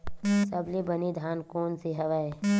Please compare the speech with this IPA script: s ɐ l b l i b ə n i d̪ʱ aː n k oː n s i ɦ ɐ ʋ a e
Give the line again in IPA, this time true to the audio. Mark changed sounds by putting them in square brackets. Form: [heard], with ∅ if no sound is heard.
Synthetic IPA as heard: s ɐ [∅] b l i b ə n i d̪ʱ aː n k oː n s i ɦ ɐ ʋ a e